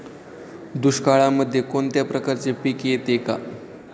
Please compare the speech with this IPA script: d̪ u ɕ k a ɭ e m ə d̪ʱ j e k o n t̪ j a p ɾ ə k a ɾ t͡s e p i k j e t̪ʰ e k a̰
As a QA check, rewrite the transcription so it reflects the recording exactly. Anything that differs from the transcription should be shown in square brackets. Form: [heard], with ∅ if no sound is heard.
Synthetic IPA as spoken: d̪ u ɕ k a ɭ [a] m ə d̪ʱ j e k o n t̪ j a p ɾ ə k a ɾ t͡s e p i k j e [t̪] e k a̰